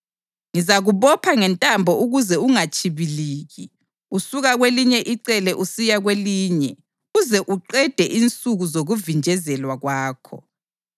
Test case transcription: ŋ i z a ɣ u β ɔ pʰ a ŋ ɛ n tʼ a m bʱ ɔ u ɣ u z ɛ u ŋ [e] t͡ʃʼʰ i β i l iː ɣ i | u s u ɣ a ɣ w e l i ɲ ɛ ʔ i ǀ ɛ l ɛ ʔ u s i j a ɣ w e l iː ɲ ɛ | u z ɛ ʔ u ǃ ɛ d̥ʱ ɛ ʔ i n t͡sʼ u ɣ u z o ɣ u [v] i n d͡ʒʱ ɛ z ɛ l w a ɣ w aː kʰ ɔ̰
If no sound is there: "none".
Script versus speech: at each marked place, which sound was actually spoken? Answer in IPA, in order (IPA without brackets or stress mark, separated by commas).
a, v